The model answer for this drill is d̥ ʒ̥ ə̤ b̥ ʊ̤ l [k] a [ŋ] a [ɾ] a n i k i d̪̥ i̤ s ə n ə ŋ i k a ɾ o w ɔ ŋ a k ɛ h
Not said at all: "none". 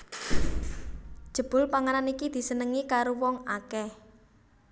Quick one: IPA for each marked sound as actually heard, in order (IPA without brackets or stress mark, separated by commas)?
p, ŋ, ɾ